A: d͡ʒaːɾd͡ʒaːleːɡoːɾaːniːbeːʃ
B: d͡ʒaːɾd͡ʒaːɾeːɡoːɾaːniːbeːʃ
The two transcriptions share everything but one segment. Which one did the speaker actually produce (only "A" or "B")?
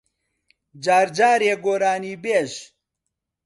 B